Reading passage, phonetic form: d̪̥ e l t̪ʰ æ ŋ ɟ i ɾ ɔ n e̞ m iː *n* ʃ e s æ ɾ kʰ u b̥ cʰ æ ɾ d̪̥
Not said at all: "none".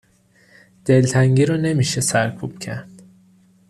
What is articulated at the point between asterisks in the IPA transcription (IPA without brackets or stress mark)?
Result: none